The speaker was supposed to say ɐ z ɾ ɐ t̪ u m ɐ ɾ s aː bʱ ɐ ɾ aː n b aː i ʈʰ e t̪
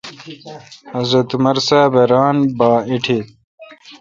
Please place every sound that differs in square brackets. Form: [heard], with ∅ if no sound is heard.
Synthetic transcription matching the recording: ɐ z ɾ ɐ t̪ u m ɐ ɾ s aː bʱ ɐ ɾ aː n b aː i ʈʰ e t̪